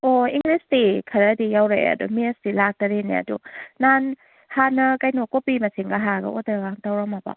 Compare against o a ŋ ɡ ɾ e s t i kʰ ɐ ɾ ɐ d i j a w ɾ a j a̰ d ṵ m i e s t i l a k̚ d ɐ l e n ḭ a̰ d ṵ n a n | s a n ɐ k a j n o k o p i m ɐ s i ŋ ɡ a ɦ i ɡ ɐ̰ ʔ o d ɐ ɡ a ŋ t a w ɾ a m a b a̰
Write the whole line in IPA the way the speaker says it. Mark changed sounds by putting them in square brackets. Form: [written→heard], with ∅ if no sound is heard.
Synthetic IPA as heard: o [a→i] ŋ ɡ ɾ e s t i kʰ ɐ ɾ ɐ d i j a w ɾ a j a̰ d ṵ m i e s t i l a k̚ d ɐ [l→ɾ] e n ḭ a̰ d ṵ n a n | [s→h] a n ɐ k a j n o k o p i m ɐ s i ŋ ɡ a ɦ [i→a] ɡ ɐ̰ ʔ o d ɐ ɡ a ŋ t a w ɾ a m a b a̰